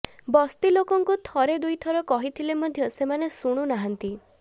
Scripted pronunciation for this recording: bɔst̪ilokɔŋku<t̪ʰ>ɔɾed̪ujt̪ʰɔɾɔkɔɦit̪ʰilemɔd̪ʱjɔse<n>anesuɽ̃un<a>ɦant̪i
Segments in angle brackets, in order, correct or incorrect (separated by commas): correct, incorrect, correct